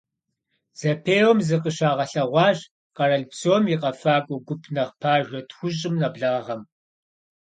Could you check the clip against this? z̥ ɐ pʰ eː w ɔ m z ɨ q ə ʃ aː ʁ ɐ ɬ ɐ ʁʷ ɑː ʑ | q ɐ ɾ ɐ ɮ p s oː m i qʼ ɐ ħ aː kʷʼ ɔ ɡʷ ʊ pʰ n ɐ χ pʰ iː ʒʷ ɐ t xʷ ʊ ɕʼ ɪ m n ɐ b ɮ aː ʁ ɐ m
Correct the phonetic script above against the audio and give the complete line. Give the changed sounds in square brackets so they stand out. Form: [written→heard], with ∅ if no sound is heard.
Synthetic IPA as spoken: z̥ ɐ pʰ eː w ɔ m z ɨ q ə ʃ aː ʁ ɐ ɬ ɐ ʁʷ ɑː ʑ | q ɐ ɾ ɐ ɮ p s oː m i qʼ ɐ [ħ→f] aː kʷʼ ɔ ɡʷ ʊ pʰ n ɐ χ pʰ [iː→aː] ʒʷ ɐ t xʷ ʊ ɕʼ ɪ m n ɐ b ɮ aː ʁ ɐ m